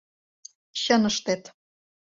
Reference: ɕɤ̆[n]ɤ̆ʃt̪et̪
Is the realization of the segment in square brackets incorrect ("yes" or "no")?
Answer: no